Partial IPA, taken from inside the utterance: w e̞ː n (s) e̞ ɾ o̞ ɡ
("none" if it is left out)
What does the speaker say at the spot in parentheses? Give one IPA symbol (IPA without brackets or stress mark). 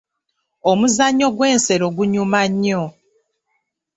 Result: s